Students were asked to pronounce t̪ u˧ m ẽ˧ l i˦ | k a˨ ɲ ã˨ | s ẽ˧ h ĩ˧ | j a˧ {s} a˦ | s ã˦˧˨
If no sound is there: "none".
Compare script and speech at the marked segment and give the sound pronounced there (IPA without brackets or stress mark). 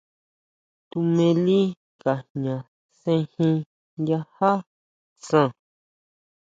h